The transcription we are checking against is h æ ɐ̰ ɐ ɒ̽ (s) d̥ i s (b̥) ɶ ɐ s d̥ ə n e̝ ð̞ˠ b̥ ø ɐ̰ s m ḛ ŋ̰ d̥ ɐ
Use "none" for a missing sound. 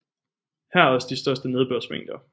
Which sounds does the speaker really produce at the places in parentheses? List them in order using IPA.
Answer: s, d̥

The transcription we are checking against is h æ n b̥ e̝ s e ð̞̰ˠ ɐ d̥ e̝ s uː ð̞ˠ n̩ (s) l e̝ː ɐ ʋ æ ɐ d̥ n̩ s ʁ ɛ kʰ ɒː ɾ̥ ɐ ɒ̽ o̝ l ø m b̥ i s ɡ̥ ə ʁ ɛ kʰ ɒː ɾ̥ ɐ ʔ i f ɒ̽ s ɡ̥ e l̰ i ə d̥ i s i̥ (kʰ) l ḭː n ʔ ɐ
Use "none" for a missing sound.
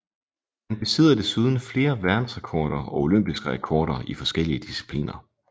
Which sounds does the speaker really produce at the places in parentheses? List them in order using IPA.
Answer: f, pʰ

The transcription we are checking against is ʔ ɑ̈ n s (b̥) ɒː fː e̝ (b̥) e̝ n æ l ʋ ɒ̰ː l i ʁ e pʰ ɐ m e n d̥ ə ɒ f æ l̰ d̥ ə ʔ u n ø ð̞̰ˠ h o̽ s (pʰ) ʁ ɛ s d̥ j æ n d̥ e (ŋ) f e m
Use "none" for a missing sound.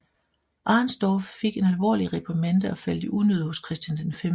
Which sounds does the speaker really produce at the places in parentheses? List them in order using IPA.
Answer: d̥, ɡ̥, kʰ, n

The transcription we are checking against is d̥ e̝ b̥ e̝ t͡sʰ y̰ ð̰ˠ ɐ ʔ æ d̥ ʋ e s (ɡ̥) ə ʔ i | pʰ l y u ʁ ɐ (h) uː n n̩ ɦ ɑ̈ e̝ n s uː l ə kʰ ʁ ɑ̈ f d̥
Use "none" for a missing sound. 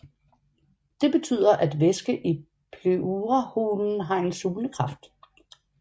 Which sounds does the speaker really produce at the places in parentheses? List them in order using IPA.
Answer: ɡ̥, h

